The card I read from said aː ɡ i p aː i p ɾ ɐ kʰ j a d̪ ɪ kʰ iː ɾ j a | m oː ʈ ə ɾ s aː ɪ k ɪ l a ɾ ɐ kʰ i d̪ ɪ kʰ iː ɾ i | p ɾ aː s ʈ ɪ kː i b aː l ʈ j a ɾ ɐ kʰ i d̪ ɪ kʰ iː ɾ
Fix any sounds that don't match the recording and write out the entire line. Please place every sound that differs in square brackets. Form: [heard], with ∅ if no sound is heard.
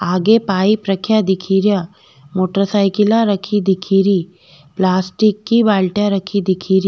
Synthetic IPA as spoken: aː ɡ [e] p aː i p ɾ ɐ kʰ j a d̪ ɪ kʰ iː ɾ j a | m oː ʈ ə ɾ s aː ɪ k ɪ l a ɾ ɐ kʰ i d̪ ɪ kʰ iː ɾ i | p [l] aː s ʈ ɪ kː i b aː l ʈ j a ɾ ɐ kʰ i d̪ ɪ kʰ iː ɾ